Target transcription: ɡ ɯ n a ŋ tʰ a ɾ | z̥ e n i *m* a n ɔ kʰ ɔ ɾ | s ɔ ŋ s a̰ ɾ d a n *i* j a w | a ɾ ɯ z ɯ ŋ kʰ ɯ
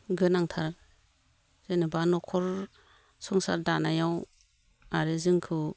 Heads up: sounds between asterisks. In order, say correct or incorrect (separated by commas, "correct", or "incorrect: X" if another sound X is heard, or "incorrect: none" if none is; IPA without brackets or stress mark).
incorrect: b, incorrect: a